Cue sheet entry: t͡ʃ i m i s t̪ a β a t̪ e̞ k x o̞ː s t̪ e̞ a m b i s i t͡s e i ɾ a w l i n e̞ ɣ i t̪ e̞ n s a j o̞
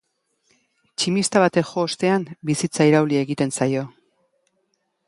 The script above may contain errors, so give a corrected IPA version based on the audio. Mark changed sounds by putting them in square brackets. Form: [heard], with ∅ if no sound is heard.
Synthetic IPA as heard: t͡ʃ i m i s t̪ a β a t̪ e̞ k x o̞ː s t̪ e̞ a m b i s i t͡s [a] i ɾ a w l i [∅] e̞ ɣ i t̪ e̞ n s a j o̞